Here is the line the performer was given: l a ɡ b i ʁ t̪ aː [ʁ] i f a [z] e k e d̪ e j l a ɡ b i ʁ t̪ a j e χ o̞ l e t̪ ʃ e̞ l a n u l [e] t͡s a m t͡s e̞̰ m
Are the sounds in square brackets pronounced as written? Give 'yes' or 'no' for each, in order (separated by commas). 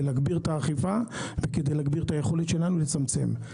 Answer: no, no, yes